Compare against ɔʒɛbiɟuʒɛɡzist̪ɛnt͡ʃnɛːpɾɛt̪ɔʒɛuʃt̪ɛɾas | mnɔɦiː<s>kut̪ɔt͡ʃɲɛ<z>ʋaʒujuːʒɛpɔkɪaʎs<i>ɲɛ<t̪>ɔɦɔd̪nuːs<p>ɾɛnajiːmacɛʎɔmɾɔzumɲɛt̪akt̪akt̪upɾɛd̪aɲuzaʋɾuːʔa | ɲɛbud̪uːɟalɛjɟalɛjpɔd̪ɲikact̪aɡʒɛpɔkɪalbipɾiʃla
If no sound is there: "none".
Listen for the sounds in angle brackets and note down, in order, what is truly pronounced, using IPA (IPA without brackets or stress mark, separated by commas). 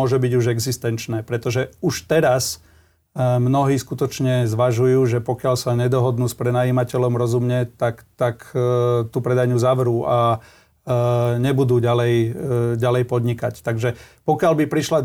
s, z, a, d̪, p